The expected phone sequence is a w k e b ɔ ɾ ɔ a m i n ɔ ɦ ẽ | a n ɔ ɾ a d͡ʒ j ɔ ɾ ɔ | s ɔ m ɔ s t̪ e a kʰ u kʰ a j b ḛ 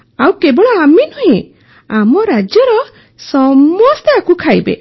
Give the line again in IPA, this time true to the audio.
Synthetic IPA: a w k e b ɔ ɭ ɔ a m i n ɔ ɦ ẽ | a m ɔ ɾ a d͡ʒ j ɔ ɾ ɔ | s ɔ m ɔ s t̪ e a k u kʰ a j b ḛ